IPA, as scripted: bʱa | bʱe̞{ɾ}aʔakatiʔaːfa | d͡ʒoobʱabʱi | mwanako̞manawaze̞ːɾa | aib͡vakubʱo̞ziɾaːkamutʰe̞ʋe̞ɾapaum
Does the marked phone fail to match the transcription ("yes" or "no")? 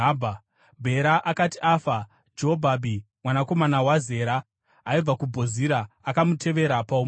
no